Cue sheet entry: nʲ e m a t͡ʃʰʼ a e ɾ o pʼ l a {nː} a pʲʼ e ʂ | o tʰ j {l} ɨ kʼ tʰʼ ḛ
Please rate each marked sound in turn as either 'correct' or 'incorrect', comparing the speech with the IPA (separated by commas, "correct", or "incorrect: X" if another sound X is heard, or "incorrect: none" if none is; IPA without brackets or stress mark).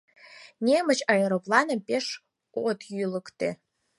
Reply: incorrect: n, correct